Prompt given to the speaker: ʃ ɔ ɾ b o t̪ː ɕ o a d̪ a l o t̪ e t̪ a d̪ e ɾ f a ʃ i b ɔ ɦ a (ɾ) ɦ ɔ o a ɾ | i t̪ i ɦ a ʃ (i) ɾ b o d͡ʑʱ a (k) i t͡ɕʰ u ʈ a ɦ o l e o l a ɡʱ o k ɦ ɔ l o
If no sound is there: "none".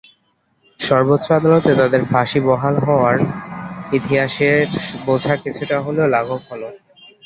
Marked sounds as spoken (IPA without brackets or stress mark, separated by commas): l, e, k